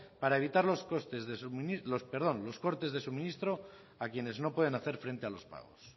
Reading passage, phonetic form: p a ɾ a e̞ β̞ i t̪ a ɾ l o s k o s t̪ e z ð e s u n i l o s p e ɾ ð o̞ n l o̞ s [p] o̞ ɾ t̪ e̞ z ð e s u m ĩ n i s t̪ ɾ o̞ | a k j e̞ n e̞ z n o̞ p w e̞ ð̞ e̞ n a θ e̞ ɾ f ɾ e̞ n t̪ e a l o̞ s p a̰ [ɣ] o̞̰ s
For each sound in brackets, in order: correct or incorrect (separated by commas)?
incorrect, correct